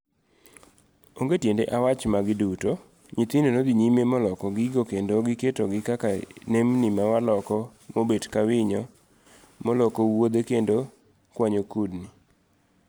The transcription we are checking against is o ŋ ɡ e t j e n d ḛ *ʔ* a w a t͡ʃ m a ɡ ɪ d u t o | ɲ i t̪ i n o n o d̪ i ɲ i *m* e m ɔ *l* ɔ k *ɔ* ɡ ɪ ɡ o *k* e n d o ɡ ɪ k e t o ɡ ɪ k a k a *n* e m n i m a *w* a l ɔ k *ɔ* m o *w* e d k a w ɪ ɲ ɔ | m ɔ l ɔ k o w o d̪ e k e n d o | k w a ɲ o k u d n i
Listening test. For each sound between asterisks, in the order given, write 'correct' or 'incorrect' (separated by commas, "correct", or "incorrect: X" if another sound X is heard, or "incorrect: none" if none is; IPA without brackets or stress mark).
correct, correct, correct, correct, correct, correct, correct, correct, incorrect: b